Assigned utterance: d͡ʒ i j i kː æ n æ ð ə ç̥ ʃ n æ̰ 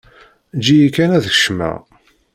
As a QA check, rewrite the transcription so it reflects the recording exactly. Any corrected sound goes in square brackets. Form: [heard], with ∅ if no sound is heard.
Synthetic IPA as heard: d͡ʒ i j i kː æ n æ ð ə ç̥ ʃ [m] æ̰